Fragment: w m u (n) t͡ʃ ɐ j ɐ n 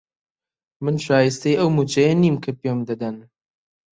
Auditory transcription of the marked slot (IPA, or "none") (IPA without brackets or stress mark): none